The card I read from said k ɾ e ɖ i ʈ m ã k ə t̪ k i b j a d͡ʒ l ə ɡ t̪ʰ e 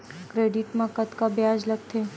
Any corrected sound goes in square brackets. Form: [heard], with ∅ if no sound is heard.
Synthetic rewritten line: k ɾ e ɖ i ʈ m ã k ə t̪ k [a] b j a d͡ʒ l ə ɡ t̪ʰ e